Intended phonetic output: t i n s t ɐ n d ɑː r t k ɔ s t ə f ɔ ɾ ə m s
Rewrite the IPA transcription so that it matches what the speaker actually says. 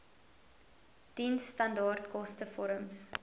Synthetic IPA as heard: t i n s t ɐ n d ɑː r t k ɔ s t ə f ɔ ɾ ə m s